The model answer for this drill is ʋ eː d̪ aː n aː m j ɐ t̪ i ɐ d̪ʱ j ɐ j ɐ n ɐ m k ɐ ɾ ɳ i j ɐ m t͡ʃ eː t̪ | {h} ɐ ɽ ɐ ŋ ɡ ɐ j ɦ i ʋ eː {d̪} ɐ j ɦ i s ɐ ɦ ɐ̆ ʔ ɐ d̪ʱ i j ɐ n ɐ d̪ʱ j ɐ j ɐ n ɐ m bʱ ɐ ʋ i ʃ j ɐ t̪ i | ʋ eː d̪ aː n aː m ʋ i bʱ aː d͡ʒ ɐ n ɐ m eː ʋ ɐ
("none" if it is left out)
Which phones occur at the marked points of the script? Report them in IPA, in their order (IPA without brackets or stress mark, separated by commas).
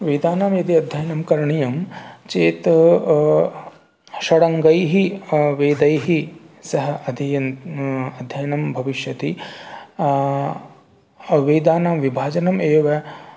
ʃ, d̪